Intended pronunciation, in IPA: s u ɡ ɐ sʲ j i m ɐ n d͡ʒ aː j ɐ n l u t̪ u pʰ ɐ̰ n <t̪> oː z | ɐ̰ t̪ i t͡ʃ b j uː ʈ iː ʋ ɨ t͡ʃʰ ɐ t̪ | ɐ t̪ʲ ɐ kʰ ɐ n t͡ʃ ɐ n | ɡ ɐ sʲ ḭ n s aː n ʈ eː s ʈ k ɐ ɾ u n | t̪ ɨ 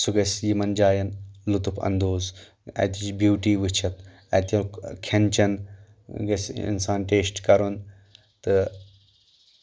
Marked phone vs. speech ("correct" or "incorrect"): incorrect